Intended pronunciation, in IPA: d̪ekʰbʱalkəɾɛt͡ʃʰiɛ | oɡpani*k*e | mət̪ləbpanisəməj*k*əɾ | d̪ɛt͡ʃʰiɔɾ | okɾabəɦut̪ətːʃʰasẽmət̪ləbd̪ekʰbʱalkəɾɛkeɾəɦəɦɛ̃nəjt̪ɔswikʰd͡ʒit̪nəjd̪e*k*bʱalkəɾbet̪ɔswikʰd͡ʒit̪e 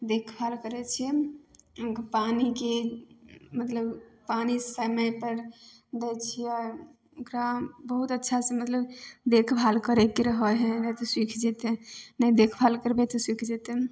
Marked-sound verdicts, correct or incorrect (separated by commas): correct, incorrect, incorrect